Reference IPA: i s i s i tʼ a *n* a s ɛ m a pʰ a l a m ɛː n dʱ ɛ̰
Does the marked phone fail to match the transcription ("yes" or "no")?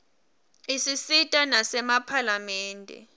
no